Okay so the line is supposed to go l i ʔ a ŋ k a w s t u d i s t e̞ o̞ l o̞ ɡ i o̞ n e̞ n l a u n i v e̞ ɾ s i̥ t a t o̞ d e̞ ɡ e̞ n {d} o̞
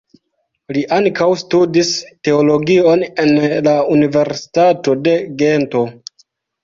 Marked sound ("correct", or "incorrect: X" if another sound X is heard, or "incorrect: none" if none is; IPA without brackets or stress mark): incorrect: t